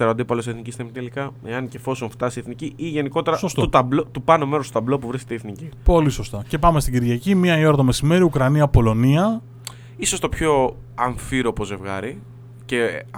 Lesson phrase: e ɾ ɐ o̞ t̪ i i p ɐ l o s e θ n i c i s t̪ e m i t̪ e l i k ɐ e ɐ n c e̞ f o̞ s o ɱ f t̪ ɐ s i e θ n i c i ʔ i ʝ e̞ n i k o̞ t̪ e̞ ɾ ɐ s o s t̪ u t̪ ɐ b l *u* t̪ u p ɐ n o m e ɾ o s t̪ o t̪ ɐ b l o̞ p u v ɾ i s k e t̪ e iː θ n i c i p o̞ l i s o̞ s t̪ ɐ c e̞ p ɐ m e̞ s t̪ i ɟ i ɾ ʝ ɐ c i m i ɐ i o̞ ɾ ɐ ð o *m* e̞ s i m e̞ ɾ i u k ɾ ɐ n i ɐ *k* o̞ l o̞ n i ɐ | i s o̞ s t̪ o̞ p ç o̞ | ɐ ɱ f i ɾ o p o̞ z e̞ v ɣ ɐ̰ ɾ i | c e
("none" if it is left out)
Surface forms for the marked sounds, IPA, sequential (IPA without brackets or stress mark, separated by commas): o, m, p